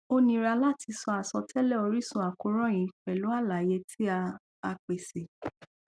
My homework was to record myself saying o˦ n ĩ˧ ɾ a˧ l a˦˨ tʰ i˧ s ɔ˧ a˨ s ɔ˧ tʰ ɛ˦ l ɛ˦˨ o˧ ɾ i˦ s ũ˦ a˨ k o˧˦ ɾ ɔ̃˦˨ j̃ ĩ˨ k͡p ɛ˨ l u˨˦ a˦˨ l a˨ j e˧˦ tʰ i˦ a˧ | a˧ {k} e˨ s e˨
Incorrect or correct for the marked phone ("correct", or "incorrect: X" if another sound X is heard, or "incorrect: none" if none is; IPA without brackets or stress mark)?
incorrect: k͡p